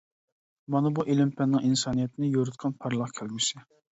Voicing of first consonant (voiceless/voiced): voiced